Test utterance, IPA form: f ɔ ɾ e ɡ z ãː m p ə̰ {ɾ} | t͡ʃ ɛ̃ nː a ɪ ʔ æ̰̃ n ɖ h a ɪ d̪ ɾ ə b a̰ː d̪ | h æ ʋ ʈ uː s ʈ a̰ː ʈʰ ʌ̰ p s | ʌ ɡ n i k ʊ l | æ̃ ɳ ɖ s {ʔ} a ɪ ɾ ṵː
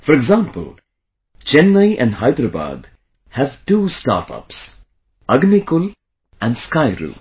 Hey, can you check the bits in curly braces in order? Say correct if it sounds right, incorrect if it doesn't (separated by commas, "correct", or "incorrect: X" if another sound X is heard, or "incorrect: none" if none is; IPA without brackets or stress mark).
incorrect: l, incorrect: k